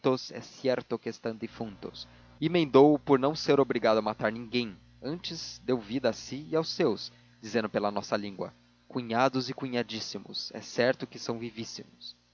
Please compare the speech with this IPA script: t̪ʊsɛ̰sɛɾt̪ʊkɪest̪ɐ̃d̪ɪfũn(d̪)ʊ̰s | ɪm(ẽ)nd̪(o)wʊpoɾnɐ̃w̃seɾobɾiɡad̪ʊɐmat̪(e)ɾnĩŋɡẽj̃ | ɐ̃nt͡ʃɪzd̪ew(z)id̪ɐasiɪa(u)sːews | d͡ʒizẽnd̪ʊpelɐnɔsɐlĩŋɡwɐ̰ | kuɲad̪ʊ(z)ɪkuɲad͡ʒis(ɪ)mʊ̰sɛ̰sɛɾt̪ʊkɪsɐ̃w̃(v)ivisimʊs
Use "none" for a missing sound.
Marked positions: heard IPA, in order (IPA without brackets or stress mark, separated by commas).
t̪, ẽ, o, a, v, w, z, i, v